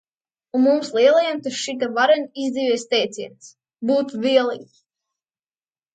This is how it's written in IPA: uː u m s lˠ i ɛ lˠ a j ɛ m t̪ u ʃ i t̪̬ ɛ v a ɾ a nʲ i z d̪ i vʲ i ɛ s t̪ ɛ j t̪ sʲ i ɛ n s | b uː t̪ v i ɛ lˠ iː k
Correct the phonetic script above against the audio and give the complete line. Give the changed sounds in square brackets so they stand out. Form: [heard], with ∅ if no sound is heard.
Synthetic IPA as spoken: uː u m s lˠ i ɛ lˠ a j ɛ m t̪ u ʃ i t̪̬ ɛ v a ɾ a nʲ i z d̪ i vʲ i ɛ s t̪ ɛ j t̪ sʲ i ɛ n s | b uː t̪ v i ɛ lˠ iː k

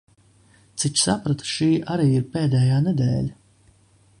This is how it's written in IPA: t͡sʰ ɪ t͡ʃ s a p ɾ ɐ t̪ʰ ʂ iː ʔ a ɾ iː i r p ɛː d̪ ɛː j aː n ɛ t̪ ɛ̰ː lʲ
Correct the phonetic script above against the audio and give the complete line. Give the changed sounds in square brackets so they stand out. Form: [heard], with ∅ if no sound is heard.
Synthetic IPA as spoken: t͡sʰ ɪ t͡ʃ s a p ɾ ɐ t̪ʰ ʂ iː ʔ a ɾ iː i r p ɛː d̪ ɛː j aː n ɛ [d̪] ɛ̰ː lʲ

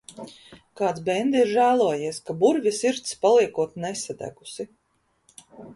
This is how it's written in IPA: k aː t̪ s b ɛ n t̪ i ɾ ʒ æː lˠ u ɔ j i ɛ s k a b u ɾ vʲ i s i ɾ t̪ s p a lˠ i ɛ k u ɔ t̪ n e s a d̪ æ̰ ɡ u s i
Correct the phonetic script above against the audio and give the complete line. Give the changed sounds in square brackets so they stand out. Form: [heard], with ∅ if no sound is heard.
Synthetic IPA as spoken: k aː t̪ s b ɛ n [d̪] i ɾ ʒ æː lˠ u ɔ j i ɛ s k a b u ɾ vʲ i s i ɾ t̪ s p a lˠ i ɛ k u ɔ t̪ n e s a d̪ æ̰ ɡ u s i

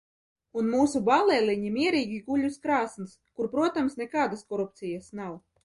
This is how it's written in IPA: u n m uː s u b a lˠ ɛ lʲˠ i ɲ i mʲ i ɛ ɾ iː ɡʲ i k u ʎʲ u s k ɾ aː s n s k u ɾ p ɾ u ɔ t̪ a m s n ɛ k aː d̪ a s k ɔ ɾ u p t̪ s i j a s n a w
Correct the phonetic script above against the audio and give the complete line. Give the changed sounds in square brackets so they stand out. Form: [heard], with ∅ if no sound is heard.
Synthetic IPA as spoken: u n m uː s u b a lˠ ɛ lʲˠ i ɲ i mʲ i ɛ ɾ iː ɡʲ i [ɡ] u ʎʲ u s k ɾ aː s n s k u ɾ p ɾ u ɔ t̪ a m s n ɛ k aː d̪ a s k ɔ ɾ u p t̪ s i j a s n a w

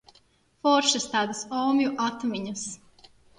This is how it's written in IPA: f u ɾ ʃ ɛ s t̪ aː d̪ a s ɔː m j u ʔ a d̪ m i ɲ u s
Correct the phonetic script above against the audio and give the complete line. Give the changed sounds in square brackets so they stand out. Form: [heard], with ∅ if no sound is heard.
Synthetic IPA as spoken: f [ɔ] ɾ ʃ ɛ s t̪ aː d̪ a s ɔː m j u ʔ a [t̪] m i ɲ u s

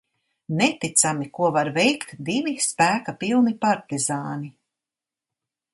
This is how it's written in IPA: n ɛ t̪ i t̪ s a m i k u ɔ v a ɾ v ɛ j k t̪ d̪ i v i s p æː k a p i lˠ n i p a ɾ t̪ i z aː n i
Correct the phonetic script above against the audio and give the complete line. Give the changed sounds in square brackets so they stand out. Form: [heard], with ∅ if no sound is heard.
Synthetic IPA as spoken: n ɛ t̪ i t̪ s a m i k u ɔ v a ɾ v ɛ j k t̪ d̪ i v i s p æː k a p i lˠ n i p a ɾ t̪ i z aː n i

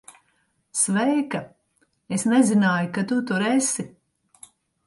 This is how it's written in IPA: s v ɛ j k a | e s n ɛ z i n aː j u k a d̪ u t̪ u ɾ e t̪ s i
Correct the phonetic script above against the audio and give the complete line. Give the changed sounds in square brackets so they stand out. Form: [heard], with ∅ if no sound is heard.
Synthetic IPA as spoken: s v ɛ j k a | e s n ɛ z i n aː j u k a [t̪] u t̪ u ɾ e [∅] s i

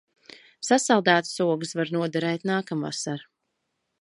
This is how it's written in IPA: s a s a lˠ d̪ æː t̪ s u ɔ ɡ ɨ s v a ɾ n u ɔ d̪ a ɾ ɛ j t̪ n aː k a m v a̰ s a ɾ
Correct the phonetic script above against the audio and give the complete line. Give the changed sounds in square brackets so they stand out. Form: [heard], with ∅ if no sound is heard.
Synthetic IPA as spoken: s a s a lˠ d̪ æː t̪ s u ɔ ɡ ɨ s v a ɾ n u ɔ d̪ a ɾ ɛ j t̪ n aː k a m v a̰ s a ɾ

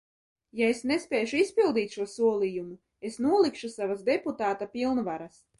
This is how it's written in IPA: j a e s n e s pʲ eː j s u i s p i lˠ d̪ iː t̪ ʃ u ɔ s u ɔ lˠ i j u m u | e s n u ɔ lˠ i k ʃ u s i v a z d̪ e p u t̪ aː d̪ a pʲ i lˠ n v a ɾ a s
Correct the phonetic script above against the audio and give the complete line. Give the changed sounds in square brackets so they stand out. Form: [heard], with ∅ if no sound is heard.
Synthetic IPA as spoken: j a e s n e s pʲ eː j [ʃ] u i s p i lˠ d̪ iː t̪ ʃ u ɔ s u ɔ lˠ i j u m u | e s n u ɔ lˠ i k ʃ u s [a] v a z d̪ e p u t̪ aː [t̪] a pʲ i lˠ n v a ɾ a s

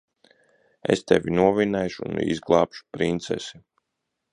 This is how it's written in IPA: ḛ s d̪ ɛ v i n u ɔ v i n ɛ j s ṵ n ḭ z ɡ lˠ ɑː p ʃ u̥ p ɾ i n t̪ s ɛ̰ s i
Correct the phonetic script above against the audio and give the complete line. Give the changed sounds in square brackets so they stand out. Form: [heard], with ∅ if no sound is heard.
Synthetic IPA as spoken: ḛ s [t̪] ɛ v i n u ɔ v i n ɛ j [ʃ] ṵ n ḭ z ɡ lˠ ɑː p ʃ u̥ p ɾ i n t̪ s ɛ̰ s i

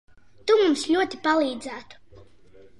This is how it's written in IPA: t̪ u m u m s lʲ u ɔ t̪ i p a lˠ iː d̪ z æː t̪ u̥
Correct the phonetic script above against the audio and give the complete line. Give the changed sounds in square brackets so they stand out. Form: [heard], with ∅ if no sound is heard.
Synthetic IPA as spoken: t̪ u m u m s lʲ u ɔ t̪ i p a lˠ iː d̪ z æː t̪ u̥

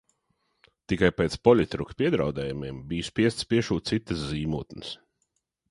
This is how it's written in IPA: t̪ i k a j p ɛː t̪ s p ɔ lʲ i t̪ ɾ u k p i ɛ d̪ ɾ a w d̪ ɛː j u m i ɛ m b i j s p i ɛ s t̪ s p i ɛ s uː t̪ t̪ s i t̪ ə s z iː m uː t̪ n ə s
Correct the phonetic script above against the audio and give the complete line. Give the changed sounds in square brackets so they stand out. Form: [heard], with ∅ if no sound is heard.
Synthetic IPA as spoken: t̪ i k a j p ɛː t̪ s p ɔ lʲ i t̪ ɾ u k p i ɛ d̪ ɾ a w d̪ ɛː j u m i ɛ m b i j s p i ɛ s t̪ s p i ɛ [ʃ] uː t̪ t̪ s i t̪ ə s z iː m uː t̪ n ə s

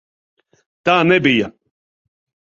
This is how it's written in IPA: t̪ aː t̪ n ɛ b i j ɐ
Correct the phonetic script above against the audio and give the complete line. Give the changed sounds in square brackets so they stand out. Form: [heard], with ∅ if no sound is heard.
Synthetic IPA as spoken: t̪ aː [∅] n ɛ b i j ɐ

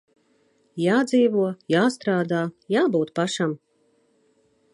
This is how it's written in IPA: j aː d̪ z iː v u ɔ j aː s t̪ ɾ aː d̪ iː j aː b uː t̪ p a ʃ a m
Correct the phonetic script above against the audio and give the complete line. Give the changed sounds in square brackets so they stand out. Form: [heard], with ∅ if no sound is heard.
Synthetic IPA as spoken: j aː d̪ z iː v u ɔ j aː s t̪ ɾ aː d̪ [aː] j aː b uː t̪ p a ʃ a m

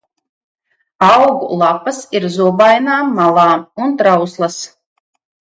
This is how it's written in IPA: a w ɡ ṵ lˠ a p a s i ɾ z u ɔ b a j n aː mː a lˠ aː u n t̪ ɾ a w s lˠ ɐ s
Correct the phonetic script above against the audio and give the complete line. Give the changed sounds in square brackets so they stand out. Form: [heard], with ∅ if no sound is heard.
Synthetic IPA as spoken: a w ɡ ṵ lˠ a p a s i ɾ z u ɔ b a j n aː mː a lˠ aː u n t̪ ɾ a w s lˠ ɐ s

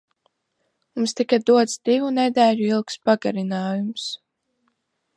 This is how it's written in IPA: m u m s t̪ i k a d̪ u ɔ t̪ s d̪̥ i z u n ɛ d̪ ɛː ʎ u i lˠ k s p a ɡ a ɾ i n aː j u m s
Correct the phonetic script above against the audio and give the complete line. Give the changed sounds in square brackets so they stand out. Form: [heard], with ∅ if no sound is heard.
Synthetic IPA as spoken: m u m s t̪ i k a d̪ u ɔ t̪ s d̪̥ i [v] u n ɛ d̪ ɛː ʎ u i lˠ k s p a ɡ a ɾ i n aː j u m s

